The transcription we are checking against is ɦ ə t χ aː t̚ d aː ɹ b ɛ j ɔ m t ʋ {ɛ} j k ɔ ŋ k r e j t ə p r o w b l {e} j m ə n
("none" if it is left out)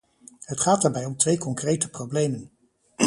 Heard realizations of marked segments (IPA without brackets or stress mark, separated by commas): e, e